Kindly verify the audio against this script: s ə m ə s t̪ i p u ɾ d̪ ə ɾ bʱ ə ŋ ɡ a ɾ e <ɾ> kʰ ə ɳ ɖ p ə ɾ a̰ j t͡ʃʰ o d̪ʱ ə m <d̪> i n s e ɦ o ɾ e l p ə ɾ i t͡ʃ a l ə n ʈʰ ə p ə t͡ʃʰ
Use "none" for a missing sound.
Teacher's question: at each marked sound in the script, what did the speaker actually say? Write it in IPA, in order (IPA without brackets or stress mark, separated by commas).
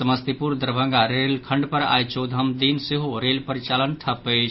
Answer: l, d̪